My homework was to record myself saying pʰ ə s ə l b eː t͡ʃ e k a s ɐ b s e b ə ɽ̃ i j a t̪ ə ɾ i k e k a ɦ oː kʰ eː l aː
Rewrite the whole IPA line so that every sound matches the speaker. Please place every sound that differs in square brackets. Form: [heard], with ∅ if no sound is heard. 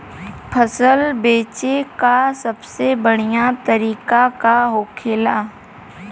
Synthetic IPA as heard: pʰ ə s ə l b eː t͡ʃ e k a s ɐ b s e b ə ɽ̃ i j a t̪ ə ɾ [iː] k [a] k a ɦ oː kʰ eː l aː